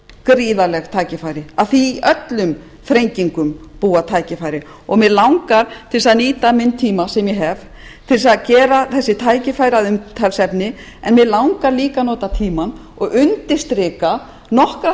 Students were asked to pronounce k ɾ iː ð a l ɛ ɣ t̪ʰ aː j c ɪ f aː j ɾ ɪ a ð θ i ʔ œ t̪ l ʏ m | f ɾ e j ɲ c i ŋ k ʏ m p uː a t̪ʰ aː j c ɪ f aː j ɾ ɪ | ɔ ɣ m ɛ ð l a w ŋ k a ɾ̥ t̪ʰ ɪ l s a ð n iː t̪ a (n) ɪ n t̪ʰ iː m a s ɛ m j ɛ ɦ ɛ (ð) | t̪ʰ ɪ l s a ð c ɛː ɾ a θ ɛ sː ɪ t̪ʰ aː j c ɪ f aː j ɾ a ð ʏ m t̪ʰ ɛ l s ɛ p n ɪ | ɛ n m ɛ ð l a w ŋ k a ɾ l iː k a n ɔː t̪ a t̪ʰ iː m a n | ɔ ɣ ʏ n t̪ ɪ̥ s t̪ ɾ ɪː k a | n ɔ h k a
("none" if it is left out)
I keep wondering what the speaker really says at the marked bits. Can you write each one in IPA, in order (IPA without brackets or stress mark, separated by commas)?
m, v